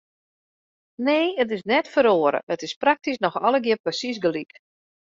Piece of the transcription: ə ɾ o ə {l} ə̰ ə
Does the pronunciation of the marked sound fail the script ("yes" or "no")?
yes